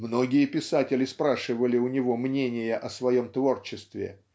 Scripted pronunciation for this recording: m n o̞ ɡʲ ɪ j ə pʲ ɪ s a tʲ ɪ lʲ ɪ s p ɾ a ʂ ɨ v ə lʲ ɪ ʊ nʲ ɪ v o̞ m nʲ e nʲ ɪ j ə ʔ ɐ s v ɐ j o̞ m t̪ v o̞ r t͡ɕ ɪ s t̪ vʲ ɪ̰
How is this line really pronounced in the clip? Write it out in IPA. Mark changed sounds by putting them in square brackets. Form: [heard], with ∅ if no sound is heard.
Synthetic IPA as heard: m n o̞ ɡʲ ɪ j ə pʲ ɪ s a tʲ ɪ lʲ ɪ s p ɾ a ʂ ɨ v ə lʲ ɪ ʊ nʲ ɪ v o̞ m nʲ e nʲ ɪ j ə ʔ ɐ s v ɐ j o̞ m t̪ v o̞ r t͡ɕ ɪ s t̪ vʲ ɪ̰